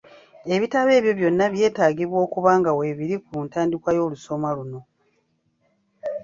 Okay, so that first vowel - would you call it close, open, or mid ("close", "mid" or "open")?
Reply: mid